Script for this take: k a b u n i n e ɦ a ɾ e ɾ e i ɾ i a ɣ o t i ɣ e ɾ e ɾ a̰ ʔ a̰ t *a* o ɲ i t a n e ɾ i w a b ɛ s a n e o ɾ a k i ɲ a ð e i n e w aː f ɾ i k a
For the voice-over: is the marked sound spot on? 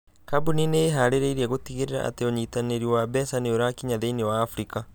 no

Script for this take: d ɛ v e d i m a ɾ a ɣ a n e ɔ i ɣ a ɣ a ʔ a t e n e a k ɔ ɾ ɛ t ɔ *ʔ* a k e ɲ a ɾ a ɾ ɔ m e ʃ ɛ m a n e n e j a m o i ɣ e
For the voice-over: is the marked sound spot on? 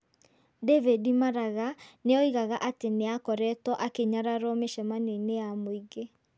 yes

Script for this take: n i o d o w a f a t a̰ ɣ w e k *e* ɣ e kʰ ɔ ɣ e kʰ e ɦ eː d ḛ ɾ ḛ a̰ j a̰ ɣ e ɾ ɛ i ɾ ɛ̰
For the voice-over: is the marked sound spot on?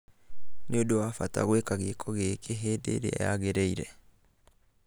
no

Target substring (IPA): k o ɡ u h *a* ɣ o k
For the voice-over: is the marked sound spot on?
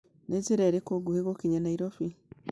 no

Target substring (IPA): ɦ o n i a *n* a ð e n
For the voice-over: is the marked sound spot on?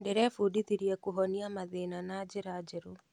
no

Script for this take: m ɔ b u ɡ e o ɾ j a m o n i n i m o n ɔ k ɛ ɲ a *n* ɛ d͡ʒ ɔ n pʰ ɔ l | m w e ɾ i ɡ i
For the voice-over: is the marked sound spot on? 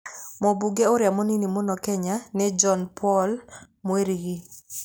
yes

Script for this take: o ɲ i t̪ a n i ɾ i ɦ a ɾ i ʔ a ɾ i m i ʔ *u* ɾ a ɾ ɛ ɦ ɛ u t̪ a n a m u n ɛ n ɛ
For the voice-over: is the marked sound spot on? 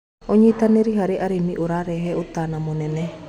yes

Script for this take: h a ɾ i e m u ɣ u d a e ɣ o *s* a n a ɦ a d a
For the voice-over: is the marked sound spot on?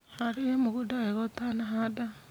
no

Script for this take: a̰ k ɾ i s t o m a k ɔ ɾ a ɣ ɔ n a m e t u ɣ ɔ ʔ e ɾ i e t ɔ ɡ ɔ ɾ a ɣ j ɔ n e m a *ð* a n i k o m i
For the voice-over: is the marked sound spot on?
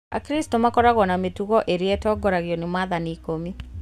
yes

